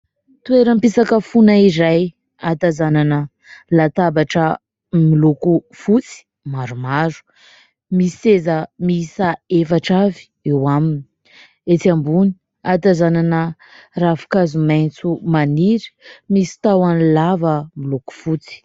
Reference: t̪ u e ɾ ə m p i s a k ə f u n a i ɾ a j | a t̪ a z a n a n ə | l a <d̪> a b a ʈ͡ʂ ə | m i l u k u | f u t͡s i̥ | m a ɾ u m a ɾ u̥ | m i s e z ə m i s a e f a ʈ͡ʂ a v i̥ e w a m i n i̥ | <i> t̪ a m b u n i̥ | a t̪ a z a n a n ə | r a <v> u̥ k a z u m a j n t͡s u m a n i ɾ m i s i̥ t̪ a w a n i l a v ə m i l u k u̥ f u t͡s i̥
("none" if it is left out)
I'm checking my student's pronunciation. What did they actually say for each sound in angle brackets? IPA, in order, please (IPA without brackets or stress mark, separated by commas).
t̪, e, f